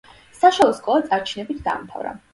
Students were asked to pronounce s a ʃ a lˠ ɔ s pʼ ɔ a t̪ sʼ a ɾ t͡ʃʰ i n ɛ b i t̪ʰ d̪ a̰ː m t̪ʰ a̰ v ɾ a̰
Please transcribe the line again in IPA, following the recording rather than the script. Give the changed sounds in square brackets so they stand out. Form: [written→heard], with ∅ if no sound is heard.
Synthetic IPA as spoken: s a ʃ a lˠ ɔ s [pʼ→kʼ] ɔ a t̪ sʼ a ɾ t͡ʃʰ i n ɛ b i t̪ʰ d̪ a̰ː m t̪ʰ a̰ v ɾ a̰